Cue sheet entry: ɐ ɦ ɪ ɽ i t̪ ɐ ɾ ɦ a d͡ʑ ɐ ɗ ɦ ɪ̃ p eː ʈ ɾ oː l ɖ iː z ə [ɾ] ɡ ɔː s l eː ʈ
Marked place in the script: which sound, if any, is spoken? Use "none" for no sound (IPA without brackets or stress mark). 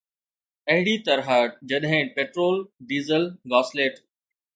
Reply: l